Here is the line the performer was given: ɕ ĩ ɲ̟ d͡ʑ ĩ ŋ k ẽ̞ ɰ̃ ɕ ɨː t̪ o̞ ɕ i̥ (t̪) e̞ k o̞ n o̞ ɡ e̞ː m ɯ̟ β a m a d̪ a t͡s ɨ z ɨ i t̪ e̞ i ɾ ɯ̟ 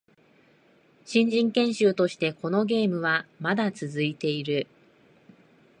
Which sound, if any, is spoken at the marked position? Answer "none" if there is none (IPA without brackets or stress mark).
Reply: t̪